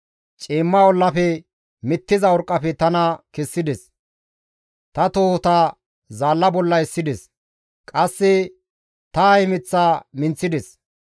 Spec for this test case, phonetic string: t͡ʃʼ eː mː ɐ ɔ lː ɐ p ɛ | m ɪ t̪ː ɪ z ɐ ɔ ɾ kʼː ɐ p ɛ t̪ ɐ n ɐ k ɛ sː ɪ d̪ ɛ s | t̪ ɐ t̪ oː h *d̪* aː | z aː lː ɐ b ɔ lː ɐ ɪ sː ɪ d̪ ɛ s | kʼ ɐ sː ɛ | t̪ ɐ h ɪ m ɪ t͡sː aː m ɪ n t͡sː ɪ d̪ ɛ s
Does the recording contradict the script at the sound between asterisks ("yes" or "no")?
yes